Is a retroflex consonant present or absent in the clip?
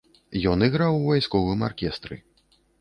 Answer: absent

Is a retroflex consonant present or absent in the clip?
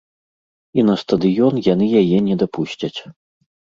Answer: absent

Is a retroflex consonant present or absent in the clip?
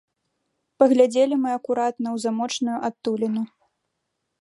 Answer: present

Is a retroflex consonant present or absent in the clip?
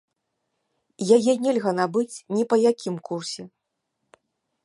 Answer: absent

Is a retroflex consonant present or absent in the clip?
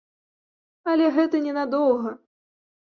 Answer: absent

